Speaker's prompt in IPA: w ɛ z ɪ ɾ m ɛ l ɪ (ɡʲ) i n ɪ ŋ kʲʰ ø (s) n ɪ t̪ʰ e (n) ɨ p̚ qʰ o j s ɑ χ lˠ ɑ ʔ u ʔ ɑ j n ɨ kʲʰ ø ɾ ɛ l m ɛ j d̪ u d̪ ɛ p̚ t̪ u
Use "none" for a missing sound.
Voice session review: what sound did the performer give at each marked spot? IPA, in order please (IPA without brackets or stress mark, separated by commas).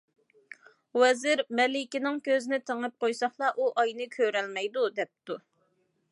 kʲ, z, ŋ